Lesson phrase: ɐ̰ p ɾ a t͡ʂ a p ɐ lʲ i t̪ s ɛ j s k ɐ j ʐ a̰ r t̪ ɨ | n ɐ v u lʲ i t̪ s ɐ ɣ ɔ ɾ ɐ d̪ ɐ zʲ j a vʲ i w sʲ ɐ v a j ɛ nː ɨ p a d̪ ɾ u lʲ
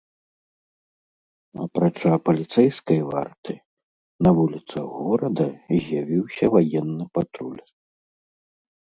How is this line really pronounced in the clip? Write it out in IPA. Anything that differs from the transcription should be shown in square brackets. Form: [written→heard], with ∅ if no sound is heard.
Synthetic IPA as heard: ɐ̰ p ɾ a t͡ʂ a p ɐ lʲ i t̪ s ɛ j s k ɐ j [ʐ→v] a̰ r t̪ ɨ | n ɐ v u lʲ i t̪ s ɐ ɣ ɔ ɾ ɐ d̪ ɐ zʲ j a vʲ i w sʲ ɐ v a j ɛ nː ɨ p a [d̪→t̪] ɾ u lʲ